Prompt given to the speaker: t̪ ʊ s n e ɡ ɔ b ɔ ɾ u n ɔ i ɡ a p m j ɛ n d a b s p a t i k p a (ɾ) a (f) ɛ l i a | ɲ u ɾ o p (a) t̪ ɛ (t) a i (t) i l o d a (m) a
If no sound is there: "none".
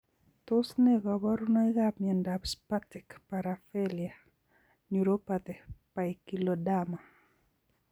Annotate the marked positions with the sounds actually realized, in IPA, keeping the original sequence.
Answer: ɾ, f, a, p, k, m

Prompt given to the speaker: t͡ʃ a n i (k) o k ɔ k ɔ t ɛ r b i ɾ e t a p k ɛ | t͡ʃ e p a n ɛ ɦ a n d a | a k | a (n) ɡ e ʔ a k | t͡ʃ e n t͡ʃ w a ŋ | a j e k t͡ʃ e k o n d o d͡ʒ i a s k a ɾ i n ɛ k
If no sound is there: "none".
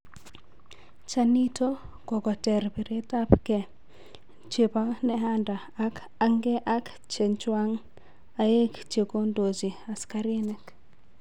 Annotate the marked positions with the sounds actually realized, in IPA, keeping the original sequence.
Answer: t, ŋ

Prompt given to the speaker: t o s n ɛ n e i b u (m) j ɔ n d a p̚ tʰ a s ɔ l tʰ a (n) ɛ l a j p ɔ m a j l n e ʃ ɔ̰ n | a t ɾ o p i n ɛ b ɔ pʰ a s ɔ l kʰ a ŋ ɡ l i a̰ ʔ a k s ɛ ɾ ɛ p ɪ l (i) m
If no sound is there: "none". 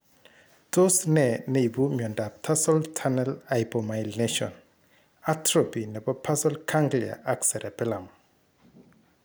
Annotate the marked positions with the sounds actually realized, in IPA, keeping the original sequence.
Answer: m, n, a

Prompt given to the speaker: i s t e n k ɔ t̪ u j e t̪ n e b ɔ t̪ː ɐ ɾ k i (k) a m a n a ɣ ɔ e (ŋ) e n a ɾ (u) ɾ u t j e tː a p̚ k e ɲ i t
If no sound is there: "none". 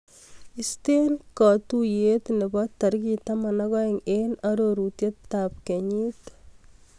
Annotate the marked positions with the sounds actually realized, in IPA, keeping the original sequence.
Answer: t, ŋ, o

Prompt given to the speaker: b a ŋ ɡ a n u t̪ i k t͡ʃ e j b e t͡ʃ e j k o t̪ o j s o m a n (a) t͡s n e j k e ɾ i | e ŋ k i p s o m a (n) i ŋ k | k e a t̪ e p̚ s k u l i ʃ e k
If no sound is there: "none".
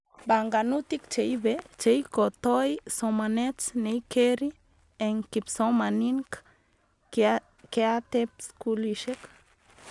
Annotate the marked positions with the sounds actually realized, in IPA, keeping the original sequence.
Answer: e, n

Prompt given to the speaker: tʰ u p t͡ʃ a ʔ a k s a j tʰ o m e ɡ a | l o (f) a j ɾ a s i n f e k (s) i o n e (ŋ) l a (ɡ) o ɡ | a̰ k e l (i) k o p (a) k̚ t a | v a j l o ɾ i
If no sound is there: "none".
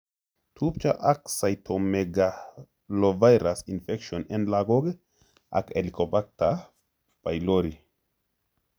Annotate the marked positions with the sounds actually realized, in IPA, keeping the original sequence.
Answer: v, ʃ, n, ɡ, i, a

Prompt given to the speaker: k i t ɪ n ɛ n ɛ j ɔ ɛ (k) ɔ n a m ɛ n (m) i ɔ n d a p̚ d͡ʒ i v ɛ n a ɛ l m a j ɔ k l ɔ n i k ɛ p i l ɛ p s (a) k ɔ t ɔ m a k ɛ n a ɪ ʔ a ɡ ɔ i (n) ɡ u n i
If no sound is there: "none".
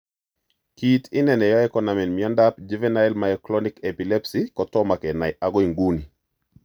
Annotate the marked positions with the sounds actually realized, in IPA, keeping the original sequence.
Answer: k, m, i, ŋ

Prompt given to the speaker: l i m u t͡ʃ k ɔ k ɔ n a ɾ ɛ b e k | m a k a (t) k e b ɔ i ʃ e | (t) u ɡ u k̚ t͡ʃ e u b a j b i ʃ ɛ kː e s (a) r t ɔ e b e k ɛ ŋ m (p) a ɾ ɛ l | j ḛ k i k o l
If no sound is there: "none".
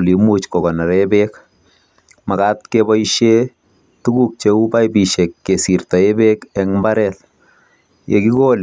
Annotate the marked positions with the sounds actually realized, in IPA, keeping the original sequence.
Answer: t, t, i, b

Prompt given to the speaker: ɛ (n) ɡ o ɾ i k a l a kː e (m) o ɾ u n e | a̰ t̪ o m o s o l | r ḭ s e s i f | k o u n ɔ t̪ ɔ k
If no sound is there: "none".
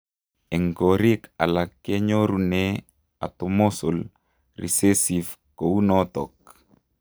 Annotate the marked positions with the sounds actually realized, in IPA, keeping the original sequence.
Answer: ŋ, ɲ

